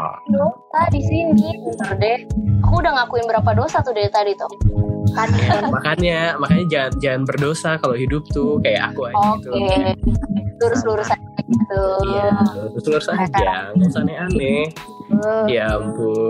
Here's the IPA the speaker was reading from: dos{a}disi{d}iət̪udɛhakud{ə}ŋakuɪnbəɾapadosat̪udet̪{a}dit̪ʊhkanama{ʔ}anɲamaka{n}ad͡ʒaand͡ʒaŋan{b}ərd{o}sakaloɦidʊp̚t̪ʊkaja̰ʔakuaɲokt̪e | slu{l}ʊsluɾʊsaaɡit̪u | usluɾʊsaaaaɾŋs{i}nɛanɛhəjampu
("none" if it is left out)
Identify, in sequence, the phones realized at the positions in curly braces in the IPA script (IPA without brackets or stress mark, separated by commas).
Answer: a, n, a, a, k, ɲ, b, o, ɾ, a